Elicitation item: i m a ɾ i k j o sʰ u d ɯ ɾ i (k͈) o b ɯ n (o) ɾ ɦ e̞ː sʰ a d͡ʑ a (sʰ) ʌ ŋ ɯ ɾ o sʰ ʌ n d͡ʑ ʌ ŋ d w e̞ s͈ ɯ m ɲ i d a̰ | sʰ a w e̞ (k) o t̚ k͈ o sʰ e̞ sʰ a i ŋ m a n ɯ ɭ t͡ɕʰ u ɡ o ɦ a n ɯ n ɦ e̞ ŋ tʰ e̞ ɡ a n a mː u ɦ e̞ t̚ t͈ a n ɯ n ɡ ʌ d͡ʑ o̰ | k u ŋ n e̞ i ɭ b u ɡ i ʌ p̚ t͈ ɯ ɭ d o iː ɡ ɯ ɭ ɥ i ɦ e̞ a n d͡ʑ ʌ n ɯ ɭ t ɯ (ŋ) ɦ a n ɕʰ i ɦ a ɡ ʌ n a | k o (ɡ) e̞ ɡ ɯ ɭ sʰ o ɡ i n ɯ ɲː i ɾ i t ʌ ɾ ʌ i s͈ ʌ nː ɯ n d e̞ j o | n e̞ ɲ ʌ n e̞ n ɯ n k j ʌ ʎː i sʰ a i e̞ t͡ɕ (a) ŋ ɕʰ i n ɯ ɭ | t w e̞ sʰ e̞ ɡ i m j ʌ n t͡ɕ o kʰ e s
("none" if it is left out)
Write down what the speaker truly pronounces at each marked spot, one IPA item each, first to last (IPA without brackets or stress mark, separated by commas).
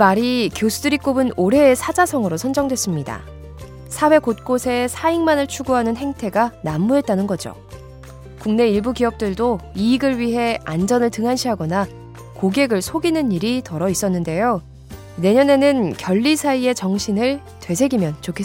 k͈, o, sʰ, k, ŋ, ɡ, ʌ